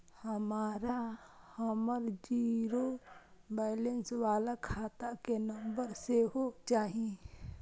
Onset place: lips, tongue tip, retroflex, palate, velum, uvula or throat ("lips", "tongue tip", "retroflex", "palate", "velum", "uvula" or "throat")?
throat